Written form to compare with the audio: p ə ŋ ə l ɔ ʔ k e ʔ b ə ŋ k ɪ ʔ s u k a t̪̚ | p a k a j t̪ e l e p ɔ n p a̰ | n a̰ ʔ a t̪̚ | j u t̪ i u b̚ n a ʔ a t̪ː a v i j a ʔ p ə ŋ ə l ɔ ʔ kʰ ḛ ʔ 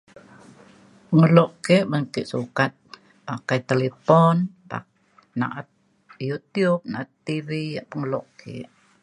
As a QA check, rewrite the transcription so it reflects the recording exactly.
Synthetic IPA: p ə ŋ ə l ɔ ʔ k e ʔ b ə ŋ k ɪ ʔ s u k a t̪̚ | p a k a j t̪ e l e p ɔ n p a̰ | n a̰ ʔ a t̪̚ | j u t̪ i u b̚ n a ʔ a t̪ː i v i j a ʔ p ə ŋ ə l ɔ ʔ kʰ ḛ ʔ